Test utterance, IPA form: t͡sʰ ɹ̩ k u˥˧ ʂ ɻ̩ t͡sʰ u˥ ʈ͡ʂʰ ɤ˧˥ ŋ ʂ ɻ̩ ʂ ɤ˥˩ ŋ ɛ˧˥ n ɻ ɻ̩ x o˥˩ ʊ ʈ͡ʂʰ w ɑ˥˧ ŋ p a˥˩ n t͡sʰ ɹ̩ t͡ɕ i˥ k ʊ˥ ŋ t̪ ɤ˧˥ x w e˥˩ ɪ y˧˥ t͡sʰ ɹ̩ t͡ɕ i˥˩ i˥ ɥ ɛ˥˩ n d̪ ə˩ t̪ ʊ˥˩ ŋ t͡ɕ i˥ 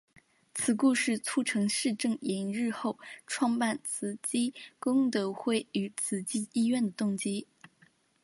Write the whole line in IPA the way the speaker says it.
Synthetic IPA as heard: t͡sʰ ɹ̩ k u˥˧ ʂ ɻ̩ t͡sʰ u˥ ʈ͡ʂʰ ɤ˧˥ ŋ ʂ ɻ̩ ʈ͡ʂ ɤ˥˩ ŋ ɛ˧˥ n ɻ ɻ̩ x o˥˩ ʊ ʈ͡ʂʰ w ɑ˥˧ ŋ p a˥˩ n t͡sʰ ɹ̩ t͡ɕ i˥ k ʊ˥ ŋ t̪ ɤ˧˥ x w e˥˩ ɪ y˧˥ t͡sʰ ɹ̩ t͡ɕ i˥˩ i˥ ɥ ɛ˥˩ n d̪ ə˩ t̪ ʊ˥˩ ŋ t͡ɕ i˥